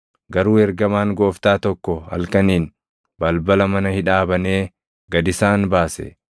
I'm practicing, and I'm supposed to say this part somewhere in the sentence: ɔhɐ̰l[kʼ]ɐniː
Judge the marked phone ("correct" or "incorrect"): incorrect